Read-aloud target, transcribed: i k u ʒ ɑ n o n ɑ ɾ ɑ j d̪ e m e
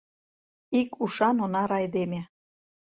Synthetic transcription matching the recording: i k u ʃ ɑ n o n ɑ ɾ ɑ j d̪ e m e

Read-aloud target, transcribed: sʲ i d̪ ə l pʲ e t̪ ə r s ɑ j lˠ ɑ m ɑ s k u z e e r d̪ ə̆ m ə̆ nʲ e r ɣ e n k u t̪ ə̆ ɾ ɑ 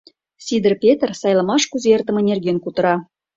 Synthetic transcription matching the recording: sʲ i d̪ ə r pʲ e t̪ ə r s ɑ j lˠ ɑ m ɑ ʃ k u z e e r t̪ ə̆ m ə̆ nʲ e r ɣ e n k u t̪ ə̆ ɾ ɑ

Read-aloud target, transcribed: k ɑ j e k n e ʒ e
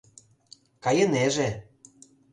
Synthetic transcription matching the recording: k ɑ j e n e ʒ e

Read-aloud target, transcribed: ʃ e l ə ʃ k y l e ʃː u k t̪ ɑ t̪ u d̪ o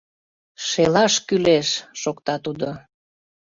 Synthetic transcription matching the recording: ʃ e l ɑ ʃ k y l e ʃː o k t̪ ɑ t̪ u d̪ o

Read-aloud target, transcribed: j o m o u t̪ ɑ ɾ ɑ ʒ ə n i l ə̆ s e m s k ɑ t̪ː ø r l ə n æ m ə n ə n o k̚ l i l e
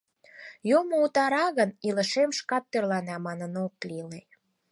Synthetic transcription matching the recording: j o m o u t̪ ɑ ɾ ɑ ɣ ə n i l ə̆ ʃ e m ʃ k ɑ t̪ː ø r l ɑ n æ m ɑ n ə n o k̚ l i l e

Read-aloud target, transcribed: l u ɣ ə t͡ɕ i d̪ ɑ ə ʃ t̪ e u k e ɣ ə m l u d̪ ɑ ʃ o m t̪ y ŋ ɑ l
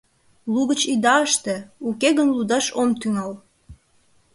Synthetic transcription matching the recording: l u ɣ ə t͡ɕ i d̪ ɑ ə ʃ t̪ e u k e ɣ ə n l u d̪ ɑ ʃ o m t̪ y ŋ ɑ l

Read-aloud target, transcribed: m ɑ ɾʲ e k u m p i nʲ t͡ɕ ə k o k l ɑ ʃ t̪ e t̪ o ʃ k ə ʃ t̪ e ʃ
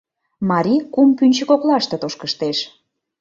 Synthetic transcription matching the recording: m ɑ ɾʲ i k u m p y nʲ t͡ɕ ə k o k l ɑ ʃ t̪ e t̪ o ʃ k ə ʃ t̪ e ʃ

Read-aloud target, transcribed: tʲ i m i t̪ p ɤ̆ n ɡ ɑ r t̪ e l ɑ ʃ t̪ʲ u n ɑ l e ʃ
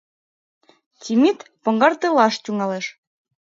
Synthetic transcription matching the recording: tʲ i m i t̪ p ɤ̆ ŋ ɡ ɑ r t̪ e l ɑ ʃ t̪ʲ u ŋ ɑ l e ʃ

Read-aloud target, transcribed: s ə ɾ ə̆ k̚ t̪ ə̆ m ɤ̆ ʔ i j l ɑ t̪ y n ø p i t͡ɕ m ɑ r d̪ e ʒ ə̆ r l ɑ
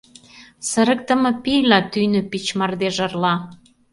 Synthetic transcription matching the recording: s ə ɾ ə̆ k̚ t̪ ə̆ m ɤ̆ p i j l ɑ t̪ y n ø p i t͡ɕ m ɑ r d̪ e ʒ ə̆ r l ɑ

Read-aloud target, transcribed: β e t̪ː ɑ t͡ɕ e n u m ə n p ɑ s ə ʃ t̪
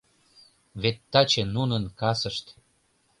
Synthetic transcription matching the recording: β e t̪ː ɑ t͡ɕ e n u n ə n k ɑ s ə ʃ t̪

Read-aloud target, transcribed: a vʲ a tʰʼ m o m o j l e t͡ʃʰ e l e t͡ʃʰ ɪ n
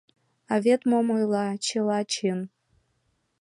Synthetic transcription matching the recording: a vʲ e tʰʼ m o m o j l a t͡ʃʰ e l a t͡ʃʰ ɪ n

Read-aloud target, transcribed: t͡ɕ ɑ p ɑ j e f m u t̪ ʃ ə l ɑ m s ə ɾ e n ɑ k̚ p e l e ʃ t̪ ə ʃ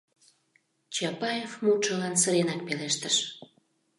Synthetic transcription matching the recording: t͡ɕ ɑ p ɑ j e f m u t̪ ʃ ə l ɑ n s ə ɾ e n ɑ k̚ p e l e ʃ t̪ ə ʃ

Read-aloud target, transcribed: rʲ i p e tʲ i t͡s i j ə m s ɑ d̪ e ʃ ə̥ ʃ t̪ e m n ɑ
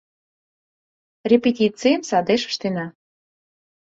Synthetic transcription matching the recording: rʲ e p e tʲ i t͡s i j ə m s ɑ d̪ e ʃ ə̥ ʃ t̪ e n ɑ

